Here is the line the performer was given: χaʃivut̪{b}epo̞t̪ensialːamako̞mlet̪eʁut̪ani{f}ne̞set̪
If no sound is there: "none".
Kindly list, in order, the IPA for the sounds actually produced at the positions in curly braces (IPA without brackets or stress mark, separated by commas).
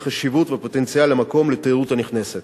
v, χ